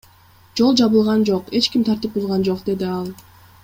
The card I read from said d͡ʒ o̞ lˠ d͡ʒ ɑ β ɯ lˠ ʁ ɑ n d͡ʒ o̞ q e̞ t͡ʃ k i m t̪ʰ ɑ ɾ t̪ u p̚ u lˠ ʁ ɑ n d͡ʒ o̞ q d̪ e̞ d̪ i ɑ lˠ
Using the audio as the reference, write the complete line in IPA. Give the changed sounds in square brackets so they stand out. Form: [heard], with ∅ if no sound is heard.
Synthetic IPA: d͡ʒ o̞ lˠ d͡ʒ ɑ β ɯ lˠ ʁ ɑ n d͡ʒ o̞ q e̞ t͡ʃ k i m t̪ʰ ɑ ɾ t̪ [ɯ] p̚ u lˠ ʁ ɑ n d͡ʒ o̞ q d̪ e̞ d̪ i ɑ lˠ

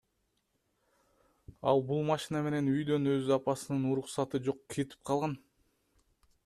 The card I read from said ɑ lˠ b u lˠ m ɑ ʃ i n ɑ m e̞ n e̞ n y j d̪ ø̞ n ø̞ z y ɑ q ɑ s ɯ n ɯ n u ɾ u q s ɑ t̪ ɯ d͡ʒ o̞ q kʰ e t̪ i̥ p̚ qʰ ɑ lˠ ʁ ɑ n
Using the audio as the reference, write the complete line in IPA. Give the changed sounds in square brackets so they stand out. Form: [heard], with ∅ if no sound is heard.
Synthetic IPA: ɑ lˠ b u lˠ m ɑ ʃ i n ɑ m e̞ n e̞ n y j d̪ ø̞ n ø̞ z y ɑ [p] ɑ s ɯ n ɯ n u ɾ u q s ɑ t̪ ɯ d͡ʒ o̞ q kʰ e t̪ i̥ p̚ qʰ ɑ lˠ ʁ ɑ n

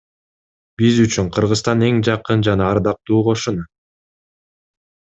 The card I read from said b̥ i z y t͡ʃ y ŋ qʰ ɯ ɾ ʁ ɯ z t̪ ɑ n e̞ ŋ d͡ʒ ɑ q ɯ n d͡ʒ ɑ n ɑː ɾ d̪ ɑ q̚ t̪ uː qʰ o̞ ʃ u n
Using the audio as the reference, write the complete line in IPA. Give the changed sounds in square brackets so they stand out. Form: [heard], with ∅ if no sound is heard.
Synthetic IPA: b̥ i z y t͡ʃ y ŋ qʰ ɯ ɾ ʁ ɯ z t̪ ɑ n e̞ ŋ d͡ʒ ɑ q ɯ n d͡ʒ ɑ n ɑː ɾ d̪ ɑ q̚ t̪ uː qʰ o̞ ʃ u n

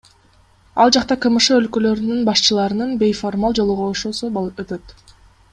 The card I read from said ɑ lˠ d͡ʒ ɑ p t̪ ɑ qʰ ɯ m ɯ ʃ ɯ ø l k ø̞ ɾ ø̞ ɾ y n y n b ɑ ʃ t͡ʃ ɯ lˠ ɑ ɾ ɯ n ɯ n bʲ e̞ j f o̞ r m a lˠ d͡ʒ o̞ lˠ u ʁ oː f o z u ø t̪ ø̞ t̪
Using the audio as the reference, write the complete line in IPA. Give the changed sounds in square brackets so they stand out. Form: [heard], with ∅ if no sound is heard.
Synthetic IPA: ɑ lˠ d͡ʒ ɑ [q] t̪ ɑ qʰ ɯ m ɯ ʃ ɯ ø l k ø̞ [l] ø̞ ɾ y n y n b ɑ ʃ t͡ʃ ɯ lˠ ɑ ɾ ɯ n ɯ n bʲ e̞ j f o̞ r m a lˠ d͡ʒ o̞ lˠ u ʁ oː [ʃ] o [s] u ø t̪ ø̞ t̪

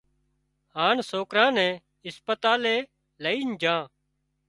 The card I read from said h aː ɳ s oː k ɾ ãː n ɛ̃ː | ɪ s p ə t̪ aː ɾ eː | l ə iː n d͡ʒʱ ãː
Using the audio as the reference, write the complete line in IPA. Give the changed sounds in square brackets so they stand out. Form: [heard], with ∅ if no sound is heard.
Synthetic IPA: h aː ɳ s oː k ɾ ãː n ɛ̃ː | ɪ s p ə t̪ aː [l] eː | l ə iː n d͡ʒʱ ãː

